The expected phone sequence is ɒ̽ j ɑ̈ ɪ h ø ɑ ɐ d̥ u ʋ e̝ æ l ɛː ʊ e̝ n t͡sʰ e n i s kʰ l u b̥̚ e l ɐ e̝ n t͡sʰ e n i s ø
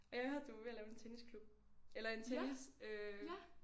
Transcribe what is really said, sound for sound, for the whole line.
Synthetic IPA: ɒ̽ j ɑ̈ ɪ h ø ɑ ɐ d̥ u ʋ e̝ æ l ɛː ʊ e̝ n t͡sʰ e n i s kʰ l u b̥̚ e l ɐ e̝ n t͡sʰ e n i s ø